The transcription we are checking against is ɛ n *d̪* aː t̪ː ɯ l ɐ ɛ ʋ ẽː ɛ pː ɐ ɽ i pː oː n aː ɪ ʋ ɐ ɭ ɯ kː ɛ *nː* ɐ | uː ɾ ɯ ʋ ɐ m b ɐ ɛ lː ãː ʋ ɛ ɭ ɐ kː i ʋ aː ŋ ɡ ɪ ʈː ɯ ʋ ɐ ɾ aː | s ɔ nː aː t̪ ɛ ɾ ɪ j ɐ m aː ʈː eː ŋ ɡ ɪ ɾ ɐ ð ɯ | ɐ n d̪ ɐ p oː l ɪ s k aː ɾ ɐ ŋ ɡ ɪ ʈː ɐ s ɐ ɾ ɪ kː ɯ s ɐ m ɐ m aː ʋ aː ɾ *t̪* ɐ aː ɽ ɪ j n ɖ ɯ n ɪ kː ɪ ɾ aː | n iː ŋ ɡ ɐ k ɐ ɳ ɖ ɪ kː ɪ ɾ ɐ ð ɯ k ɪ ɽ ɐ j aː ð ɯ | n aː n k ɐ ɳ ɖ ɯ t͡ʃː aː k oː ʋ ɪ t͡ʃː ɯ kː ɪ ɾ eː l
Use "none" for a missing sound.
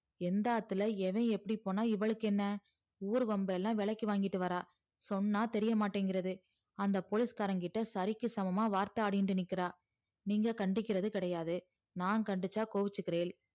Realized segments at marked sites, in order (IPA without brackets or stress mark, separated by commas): d̪, nː, t̪